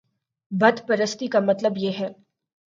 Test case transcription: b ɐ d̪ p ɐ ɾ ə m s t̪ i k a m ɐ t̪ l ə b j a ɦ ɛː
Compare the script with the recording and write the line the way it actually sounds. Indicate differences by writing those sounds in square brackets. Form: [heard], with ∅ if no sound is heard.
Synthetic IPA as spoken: b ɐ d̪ p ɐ ɾ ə [∅] s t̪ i k a m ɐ t̪ l ə b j [e] ɦ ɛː